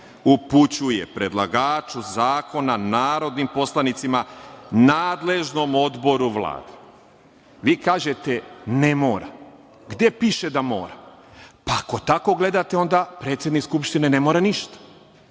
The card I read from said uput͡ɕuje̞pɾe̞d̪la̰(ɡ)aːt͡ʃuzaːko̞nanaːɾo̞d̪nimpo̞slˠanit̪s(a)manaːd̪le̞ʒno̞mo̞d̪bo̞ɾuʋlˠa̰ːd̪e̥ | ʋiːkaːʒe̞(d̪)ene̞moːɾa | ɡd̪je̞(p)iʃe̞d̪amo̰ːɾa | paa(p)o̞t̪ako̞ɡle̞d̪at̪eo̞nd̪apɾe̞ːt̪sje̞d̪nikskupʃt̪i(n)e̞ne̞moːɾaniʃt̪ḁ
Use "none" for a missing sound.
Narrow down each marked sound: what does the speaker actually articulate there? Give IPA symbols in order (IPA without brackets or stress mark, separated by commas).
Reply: ɡ, i, t̪, p, k, n